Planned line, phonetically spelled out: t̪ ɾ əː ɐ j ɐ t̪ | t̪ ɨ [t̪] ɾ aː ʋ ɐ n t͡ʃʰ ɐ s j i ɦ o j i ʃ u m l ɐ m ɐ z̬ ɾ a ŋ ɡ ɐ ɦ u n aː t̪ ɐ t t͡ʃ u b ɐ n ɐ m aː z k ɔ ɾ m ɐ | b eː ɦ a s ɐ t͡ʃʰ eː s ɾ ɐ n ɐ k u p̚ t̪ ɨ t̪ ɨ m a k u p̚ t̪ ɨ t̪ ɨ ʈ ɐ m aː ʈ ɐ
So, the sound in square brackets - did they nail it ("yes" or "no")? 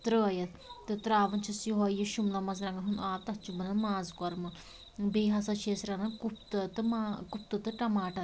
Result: yes